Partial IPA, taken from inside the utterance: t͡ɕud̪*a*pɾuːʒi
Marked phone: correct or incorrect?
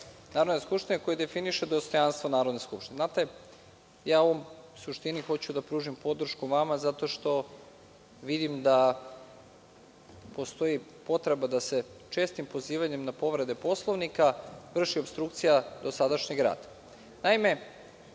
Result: correct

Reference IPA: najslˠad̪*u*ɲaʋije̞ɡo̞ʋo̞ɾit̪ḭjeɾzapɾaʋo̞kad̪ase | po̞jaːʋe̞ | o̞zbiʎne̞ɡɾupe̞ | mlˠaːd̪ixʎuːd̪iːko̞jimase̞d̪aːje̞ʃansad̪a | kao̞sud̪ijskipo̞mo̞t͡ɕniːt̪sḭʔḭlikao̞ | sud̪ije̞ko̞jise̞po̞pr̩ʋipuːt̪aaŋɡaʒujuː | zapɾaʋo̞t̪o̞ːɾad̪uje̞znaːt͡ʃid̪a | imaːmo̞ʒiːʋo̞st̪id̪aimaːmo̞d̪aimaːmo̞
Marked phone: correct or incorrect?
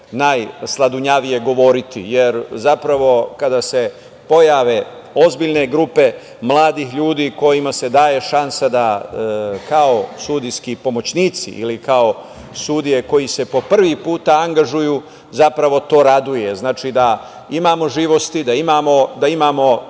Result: correct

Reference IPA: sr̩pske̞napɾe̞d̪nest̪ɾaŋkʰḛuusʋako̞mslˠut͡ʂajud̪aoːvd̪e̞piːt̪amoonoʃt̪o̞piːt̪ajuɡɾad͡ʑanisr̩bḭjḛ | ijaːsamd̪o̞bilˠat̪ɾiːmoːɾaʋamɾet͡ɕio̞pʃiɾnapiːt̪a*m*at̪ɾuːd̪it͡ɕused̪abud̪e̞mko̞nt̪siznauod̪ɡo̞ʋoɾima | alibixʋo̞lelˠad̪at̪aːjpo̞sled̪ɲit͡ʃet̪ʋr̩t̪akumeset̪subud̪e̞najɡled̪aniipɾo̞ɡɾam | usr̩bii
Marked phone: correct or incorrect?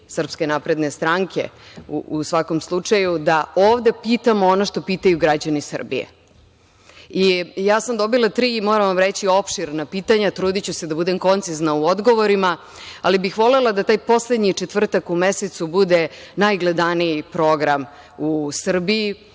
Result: incorrect: ɲ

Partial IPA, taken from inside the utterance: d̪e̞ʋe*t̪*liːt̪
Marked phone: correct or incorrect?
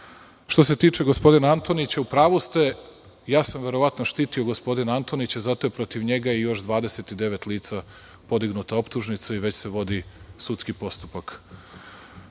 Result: correct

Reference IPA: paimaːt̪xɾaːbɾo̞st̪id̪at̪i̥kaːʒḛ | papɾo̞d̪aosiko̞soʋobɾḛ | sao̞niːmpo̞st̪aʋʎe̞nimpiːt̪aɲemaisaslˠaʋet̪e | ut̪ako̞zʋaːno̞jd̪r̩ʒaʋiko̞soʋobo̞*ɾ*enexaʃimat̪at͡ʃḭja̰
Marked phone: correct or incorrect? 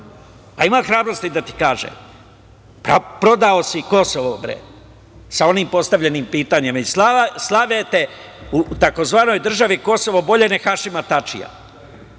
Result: incorrect: ʎ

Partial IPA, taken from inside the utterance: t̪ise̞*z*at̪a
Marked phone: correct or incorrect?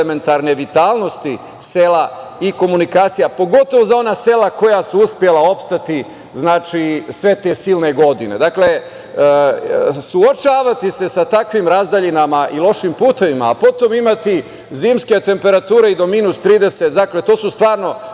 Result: incorrect: s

